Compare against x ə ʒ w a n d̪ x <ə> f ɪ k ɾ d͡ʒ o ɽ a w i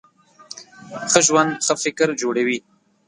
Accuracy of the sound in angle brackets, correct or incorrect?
correct